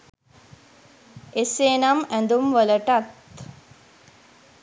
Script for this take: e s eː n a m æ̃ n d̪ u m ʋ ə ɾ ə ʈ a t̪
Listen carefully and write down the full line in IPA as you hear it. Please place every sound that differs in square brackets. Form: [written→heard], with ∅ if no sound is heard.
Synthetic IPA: e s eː n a m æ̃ n d̪ u m ʋ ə [ɾ→l] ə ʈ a t̪